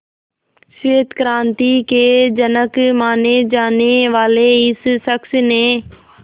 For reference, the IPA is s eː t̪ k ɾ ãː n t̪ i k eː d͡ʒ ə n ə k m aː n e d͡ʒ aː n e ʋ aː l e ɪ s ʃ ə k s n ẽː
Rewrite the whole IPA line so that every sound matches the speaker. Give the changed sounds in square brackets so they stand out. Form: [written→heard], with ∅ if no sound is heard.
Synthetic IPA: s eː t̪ k ɾ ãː n t̪ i k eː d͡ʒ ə n ə k m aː n e d͡ʒ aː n e ʋ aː l e ɪ s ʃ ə k s n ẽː